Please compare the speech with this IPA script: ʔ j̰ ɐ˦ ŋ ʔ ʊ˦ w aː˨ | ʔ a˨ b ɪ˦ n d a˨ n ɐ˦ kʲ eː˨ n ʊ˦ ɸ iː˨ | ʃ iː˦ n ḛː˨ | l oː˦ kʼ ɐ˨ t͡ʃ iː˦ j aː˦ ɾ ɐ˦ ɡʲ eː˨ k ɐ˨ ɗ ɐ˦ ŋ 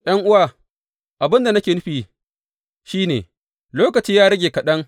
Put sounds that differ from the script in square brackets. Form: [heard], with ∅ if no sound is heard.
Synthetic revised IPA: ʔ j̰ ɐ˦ ŋ ʔ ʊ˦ w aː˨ | ʔ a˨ b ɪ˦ n d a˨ n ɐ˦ kʲ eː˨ n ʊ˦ ɸ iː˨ | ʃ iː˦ n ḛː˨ | l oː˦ [k] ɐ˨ t͡ʃ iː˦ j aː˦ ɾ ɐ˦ ɡʲ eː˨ k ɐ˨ ɗ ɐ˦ ŋ